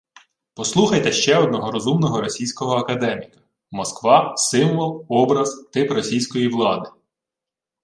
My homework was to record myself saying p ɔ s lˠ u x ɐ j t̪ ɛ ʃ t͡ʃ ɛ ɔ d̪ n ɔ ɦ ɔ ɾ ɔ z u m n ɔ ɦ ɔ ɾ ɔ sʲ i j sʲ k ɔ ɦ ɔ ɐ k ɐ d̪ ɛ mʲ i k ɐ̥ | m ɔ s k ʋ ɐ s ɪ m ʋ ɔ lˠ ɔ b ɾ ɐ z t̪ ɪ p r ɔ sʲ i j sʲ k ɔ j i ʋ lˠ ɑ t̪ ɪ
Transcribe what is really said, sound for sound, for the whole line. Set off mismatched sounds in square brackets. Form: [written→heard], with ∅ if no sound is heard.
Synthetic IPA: p ɔ s lˠ u x ɐ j t̪ ɛ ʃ t͡ʃ ɛ ɔ d̪ n ɔ ɦ ɔ ɾ ɔ z u m n ɔ ɦ ɔ ɾ ɔ sʲ i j sʲ k ɔ ɦ ɔ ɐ k ɐ d̪ ɛ mʲ i k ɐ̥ | m ɔ s k ʋ [ɐ→ɑ] s ɪ m ʋ ɔ lˠ ɔ b ɾ ɐ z t̪ ɪ p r ɔ sʲ i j sʲ k ɔ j i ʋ lˠ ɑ [t̪→d̪] ɪ